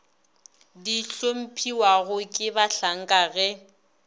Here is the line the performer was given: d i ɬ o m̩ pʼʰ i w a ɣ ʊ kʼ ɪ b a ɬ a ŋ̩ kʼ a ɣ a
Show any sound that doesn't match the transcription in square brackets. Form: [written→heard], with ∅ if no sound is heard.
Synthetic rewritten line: d i ɬ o m̩ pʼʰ i w a ɣ ʊ kʼ ɪ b a ɬ a ŋ̩ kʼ a ɣ [a→ɛ]

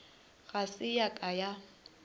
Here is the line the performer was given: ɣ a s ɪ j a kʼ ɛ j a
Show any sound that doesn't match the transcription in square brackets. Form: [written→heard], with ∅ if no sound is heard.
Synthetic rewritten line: ɣ a s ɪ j a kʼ [ɛ→a] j a

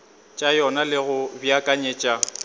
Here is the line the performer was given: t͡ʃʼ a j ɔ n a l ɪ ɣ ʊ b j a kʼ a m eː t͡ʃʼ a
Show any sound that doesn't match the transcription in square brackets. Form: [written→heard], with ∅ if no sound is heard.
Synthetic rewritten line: t͡ʃʼ a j ɔ n a l ɪ ɣ ʊ b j a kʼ a [m→ɲ] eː t͡ʃʼ a

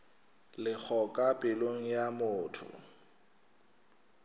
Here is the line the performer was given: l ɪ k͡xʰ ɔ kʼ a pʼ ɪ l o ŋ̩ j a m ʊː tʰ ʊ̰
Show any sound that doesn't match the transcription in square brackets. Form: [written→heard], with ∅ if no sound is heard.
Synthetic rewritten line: l ɪ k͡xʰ ɔ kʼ a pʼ ɪ l o ŋ̩ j a m ʊː tʰ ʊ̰

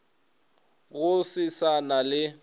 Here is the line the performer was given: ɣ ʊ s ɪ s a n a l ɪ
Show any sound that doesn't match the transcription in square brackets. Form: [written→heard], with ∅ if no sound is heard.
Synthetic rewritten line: ɣ ʊ s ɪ s a n a l ɪ

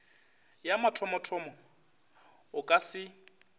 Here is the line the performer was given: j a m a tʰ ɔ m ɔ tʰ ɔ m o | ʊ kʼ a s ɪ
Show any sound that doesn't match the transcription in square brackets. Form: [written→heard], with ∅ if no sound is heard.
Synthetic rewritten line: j a m a tʰ ɔ m ɔ tʰ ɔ m [o→ɔ] | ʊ kʼ a s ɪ

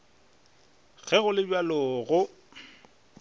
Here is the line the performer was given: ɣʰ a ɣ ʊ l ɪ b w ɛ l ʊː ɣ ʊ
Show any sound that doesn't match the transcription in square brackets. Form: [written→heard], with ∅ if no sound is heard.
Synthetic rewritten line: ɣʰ [a→ɛ] ɣ ʊ l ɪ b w [ɛ→a] l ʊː ɣ ʊ

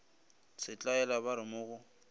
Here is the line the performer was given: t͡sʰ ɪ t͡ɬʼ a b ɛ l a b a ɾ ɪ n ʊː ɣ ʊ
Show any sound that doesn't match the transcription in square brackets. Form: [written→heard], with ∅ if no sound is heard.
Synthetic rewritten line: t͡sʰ ɪ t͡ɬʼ a [b→∅] ɛ l a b a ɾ ɪ [n→m] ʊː ɣ ʊ

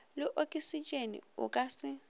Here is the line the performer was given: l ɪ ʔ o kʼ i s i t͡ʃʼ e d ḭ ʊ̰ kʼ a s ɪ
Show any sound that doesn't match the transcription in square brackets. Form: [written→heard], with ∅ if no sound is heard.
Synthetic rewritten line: l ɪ ʔ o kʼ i s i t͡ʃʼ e [d→n] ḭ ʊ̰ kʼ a s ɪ

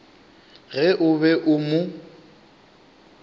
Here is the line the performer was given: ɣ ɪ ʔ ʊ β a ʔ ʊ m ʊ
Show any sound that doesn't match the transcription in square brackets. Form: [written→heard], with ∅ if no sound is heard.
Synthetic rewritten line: ɣ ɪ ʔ ʊ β [a→ɛ] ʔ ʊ m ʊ

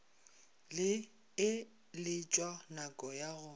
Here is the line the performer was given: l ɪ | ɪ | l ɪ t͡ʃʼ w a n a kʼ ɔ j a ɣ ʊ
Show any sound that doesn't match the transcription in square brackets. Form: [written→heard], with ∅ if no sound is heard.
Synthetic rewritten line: l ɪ | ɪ | l ɪ t͡ʃʼ w a n a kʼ ɔ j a ɣ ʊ

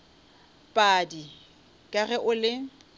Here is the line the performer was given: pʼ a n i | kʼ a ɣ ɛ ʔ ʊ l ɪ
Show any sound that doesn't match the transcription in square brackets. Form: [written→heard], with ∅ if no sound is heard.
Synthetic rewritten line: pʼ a [n→d] i | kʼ a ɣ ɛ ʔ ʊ l ɪ

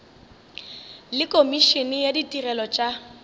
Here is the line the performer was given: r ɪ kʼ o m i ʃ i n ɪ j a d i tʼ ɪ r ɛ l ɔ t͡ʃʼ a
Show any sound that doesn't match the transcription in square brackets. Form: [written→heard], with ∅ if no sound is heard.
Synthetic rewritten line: [r→l] ɪ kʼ o m i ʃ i n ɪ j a d i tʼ [ɪ→i] r ɛ l ɔ t͡ʃʼ a

